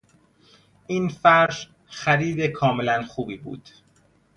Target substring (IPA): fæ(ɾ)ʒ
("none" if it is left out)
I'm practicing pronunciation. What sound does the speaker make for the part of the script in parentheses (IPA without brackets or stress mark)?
ɾ